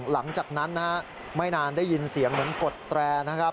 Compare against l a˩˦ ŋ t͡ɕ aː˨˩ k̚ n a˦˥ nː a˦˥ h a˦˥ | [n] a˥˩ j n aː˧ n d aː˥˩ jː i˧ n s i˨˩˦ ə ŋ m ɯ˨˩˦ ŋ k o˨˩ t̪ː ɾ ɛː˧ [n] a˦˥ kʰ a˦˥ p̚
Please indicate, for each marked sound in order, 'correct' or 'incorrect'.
incorrect, correct

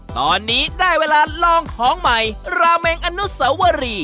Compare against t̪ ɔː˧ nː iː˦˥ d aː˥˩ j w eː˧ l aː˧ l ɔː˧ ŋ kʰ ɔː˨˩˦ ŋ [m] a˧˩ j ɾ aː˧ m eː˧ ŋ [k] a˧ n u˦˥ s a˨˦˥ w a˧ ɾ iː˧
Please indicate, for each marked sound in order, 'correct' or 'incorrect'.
correct, incorrect

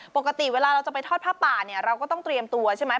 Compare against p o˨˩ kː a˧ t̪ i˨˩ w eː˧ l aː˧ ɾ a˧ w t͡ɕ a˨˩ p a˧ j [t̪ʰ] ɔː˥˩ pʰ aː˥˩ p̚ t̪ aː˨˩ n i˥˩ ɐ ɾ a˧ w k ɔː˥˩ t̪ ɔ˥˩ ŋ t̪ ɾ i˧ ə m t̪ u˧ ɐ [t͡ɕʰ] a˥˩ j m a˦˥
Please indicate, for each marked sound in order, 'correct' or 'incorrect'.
correct, correct

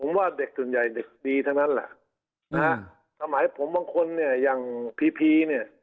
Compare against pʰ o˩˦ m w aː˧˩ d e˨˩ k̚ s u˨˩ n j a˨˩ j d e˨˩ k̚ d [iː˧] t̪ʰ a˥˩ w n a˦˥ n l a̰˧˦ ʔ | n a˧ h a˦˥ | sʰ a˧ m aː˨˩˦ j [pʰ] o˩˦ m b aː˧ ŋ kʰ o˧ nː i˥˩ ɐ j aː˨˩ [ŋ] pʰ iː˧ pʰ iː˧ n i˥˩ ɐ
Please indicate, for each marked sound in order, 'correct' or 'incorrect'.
correct, correct, correct

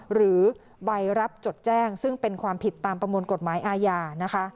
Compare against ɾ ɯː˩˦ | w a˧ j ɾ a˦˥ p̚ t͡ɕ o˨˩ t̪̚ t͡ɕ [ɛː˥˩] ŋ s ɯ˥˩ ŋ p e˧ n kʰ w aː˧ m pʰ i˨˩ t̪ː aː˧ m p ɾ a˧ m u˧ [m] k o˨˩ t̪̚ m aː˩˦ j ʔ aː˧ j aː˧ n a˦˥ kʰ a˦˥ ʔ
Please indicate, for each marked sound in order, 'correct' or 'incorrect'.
correct, incorrect

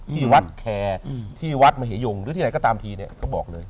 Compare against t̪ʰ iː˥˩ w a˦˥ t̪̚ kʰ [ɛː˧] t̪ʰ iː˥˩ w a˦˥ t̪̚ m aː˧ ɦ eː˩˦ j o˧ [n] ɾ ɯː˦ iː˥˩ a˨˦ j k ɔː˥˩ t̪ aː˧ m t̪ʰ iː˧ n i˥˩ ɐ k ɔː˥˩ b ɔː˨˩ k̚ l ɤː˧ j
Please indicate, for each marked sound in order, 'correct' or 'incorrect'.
correct, incorrect

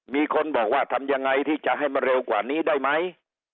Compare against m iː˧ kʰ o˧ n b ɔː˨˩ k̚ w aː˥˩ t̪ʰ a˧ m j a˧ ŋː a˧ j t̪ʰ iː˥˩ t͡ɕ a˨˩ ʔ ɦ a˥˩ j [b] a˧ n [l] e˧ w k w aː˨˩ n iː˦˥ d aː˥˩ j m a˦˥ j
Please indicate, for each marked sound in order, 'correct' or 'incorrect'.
incorrect, incorrect

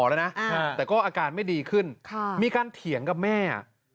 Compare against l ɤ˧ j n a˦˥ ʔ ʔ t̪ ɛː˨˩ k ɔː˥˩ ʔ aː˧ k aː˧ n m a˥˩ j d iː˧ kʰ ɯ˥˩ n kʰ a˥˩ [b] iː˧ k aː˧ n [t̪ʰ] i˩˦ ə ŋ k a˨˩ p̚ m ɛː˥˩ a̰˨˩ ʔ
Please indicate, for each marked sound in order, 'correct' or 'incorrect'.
incorrect, correct

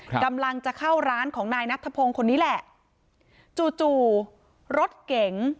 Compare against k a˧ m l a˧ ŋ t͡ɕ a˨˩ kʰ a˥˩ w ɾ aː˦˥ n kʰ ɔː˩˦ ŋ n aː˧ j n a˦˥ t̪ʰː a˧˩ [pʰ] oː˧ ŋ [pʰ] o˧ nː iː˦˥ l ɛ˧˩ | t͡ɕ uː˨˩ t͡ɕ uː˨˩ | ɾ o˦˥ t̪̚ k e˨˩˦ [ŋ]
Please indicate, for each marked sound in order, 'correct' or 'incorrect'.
correct, incorrect, correct

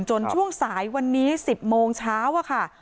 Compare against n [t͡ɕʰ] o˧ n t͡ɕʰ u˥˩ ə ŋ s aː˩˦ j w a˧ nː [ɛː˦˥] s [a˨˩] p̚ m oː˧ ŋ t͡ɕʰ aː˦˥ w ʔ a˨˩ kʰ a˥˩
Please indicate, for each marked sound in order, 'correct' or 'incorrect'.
incorrect, incorrect, incorrect

